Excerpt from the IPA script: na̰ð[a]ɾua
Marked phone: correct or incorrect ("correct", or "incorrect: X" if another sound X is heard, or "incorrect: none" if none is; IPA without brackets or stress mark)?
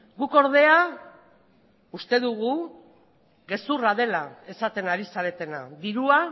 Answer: incorrect: i